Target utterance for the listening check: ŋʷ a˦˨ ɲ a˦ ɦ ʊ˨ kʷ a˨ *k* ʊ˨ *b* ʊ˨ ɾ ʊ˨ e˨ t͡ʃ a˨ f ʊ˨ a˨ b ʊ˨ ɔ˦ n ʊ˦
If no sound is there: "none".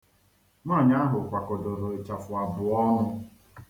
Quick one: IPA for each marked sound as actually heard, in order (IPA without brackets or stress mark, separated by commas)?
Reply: k, d